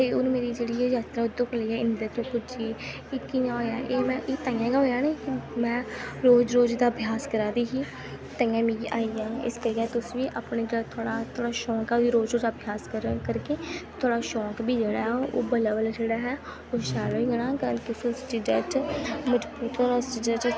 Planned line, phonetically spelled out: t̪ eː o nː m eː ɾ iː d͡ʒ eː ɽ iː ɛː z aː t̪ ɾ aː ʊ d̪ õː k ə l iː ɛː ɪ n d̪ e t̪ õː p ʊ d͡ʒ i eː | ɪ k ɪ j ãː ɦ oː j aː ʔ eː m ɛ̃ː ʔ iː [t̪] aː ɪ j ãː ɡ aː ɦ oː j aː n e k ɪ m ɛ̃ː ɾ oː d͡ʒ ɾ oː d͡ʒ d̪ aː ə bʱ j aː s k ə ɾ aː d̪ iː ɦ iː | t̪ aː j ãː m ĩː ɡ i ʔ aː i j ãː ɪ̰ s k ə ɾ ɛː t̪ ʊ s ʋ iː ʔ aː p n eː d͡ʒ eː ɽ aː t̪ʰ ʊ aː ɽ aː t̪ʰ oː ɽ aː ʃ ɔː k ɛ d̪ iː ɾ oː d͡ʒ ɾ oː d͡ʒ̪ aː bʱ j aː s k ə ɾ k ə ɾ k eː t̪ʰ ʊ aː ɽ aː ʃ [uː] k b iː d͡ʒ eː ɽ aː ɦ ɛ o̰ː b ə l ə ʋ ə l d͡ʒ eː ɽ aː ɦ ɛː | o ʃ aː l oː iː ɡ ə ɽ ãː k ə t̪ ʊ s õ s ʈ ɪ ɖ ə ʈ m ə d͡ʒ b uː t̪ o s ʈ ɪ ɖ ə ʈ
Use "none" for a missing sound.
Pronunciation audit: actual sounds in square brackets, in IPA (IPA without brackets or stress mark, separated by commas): t̪, ɔː